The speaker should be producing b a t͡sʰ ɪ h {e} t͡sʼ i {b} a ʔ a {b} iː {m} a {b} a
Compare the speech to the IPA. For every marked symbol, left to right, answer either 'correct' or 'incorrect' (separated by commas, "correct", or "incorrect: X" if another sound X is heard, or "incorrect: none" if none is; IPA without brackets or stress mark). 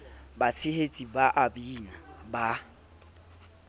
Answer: correct, correct, correct, incorrect: n, correct